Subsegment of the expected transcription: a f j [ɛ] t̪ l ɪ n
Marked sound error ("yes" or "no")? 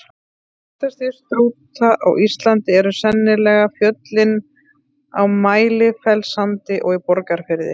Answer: yes